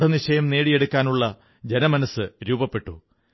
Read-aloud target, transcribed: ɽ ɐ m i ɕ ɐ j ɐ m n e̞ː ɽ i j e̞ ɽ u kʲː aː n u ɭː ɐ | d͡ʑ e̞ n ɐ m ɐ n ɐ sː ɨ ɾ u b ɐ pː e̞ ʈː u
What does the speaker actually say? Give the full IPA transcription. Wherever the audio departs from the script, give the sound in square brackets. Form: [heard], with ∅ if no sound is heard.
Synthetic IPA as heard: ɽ ɐ [n] i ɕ ɐ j ɐ m n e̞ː ɽ i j e̞ ɽ u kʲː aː n u ɭː ɐ | d͡ʑ e̞ n ɐ m ɐ n ɐ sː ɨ ɾ [uː] b ɐ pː e̞ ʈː u

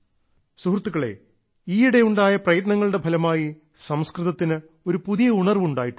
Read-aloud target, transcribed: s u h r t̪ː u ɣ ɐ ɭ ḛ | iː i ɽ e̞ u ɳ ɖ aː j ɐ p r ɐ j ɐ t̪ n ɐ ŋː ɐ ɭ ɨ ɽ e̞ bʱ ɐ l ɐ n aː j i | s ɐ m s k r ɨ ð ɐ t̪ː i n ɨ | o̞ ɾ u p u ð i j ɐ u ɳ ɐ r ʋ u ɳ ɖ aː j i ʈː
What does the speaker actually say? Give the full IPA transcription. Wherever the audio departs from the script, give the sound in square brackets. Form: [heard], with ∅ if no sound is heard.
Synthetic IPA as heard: s u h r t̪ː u ɣ ɐ ɭ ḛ | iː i ɽ e̞ u ɳ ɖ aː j ɐ p r ɐ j ɐ t̪ n ɐ ŋː ɐ ɭ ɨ ɽ e̞ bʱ ɐ l ɐ [m] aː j i | s ɐ m s k r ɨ ð ɐ t̪ː i n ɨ | o̞ ɾ u p u ð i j ɐ u ɳ ɐ r ʋ u ɳ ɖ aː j i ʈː

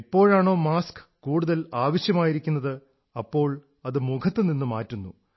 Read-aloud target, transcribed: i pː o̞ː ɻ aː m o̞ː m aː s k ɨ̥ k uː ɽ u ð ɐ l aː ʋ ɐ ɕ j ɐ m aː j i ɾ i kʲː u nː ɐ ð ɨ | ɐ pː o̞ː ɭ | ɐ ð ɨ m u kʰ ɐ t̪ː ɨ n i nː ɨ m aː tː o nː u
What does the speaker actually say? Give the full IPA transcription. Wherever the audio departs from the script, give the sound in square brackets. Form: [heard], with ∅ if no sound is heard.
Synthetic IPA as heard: i pː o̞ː ɻ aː [ɳ] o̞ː m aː s k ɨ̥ k uː ɽ u ð ɐ l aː ʋ ɐ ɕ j ɐ m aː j i ɾ i kʲː u nː ɐ ð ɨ | ɐ pː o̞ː ɭ | ɐ ð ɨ m u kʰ ɐ t̪ː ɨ n i nː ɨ m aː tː [u] nː u

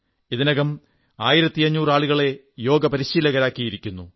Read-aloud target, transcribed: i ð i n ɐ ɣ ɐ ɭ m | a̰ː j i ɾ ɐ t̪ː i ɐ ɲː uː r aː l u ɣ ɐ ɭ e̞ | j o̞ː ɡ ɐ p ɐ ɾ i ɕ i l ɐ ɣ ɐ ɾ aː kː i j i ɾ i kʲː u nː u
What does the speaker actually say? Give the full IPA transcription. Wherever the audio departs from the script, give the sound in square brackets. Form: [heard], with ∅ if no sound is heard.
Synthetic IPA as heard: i ð i n ɐ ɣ ɐ [∅] m | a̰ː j i ɾ ɐ t̪ː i ɐ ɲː uː r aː [ɭ] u ɣ ɐ ɭ e̞ | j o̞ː ɡ ɐ p ɐ ɾ i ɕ [iː] l ɐ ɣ ɐ ɾ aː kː i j i ɾ i kʲː u nː u

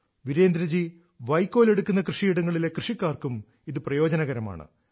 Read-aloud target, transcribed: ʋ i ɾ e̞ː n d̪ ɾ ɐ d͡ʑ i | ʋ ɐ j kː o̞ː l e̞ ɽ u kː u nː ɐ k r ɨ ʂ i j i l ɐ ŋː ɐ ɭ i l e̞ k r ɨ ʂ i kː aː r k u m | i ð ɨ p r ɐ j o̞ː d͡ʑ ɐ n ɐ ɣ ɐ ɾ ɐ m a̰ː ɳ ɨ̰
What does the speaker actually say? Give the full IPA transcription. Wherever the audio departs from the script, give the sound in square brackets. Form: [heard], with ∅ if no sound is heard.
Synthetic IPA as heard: ʋ i ɾ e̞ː n d̪ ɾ ɐ d͡ʑ i | ʋ ɐ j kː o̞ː l e̞ ɽ u kː u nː ɐ k r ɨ ʂ i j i [ɽ] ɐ ŋː ɐ ɭ i l e̞ k r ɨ ʂ i kː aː r k u m | i ð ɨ p r ɐ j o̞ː d͡ʑ ɐ n ɐ ɣ ɐ ɾ ɐ m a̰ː ɳ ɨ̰

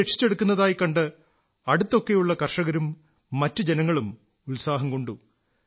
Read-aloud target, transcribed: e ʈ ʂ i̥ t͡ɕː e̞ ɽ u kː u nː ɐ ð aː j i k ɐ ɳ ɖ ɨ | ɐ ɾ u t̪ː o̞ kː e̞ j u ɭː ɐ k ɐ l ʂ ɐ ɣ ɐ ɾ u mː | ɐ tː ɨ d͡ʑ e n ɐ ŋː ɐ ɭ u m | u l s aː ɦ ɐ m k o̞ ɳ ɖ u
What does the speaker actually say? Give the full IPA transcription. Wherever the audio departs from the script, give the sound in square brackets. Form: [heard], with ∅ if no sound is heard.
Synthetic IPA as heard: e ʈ ʂ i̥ t͡ɕː e̞ ɽ u kː u nː ɐ ð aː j i k ɐ ɳ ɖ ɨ | ɐ [ɽ] u t̪ː o̞ kː e̞ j u ɭː ɐ k ɐ [r] ʂ ɐ ɣ ɐ ɾ u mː | ɐ tː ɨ d͡ʑ e n ɐ ŋː ɐ ɭ u m | u l s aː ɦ ɐ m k o̞ ɳ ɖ u

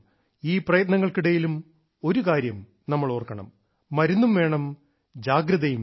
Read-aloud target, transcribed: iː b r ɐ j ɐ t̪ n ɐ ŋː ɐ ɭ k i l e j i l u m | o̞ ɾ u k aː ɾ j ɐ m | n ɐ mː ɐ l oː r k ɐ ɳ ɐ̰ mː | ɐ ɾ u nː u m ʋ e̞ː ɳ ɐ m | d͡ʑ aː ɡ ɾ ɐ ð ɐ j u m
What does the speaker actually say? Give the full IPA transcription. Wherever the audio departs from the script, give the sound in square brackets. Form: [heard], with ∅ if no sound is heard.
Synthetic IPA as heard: iː [p] r ɐ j ɐ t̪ n ɐ ŋː ɐ ɭ k i [ɽ] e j i l u m | o̞ ɾ u k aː ɾ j ɐ m | n ɐ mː ɐ [ɭ] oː r k ɐ ɳ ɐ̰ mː | ɐ ɾ u nː u m ʋ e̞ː ɳ ɐ m | d͡ʑ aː ɡ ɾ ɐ ð ɐ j u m

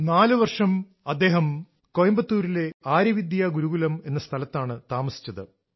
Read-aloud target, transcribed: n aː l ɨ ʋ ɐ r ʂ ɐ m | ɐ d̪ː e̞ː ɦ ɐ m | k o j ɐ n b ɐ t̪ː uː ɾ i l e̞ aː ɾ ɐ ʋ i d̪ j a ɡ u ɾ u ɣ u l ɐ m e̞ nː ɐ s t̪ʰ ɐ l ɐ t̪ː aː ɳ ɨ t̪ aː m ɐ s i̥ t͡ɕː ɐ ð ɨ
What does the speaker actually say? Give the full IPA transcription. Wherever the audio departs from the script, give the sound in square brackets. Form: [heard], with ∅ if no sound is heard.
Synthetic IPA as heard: n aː l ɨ ʋ ɐ r ʂ ɐ m | ɐ d̪ː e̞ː ɦ ɐ m | k o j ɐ [m] b ɐ t̪ː uː ɾ i l e̞ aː ɾ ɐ ʋ i d̪ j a ɡ u ɾ u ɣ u l ɐ m e̞ nː ɐ s t̪ʰ ɐ l ɐ t̪ː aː ɳ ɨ t̪ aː m ɐ s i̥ t͡ɕː ɐ ð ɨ

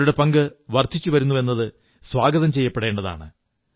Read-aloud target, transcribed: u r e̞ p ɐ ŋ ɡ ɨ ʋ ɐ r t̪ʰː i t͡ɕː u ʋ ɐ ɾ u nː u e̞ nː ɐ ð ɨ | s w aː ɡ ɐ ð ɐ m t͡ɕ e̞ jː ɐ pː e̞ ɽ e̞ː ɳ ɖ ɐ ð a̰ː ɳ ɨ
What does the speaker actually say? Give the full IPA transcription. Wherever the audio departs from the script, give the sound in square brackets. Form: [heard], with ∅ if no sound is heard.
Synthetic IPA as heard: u [ɽ] e̞ p ɐ ŋ ɡ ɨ ʋ ɐ r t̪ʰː i t͡ɕː u ʋ ɐ ɾ u nː u e̞ nː ɐ ð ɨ | s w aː ɡ ɐ ð ɐ m t͡ɕ e̞ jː ɐ pː e̞ ɽ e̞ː ɳ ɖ ɐ ð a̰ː ɳ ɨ

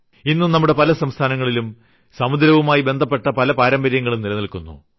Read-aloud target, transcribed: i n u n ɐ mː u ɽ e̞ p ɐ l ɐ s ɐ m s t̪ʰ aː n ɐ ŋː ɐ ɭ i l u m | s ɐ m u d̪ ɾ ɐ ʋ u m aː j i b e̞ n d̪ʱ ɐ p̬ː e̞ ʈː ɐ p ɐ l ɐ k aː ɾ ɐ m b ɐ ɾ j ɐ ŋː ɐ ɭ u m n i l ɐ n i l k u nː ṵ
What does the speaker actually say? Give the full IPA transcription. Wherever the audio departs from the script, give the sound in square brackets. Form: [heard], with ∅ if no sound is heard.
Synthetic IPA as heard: i [nː] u n ɐ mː u ɽ e̞ p ɐ l ɐ s ɐ m s t̪ʰ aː n ɐ ŋː ɐ ɭ i l u m | s ɐ m u d̪ ɾ ɐ ʋ u m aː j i b e̞ n d̪ʱ ɐ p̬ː e̞ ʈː ɐ p ɐ l ɐ [p] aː ɾ ɐ m b ɐ ɾ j ɐ ŋː ɐ ɭ u m n i l ɐ n i l k u nː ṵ

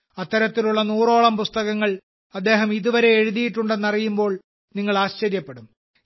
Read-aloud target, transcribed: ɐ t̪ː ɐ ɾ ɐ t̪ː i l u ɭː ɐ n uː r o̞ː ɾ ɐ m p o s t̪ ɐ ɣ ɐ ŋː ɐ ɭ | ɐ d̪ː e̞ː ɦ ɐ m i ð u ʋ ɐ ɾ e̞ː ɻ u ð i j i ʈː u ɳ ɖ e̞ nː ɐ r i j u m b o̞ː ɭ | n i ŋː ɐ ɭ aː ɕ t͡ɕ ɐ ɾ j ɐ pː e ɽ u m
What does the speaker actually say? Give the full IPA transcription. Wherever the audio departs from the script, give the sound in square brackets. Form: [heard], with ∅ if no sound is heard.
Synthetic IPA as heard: ɐ t̪ː ɐ ɾ ɐ t̪ː i l u ɭː ɐ n uː r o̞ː [ɭ] ɐ m p [u] s t̪ ɐ ɣ ɐ ŋː ɐ ɭ | ɐ d̪ː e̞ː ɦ ɐ m i ð u ʋ ɐ ɾ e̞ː ɻ u ð i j i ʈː u ɳ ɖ e̞ nː ɐ r i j u m b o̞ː ɭ | n i ŋː ɐ ɭ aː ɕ t͡ɕ ɐ ɾ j ɐ pː e ɽ u m

